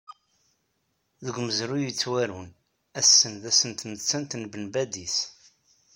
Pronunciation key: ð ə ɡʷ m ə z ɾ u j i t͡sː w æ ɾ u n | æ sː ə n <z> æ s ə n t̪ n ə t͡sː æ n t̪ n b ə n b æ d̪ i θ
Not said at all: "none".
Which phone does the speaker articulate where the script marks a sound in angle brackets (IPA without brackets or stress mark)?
ð